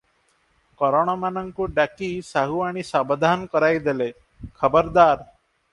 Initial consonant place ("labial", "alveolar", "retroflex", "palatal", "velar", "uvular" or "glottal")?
velar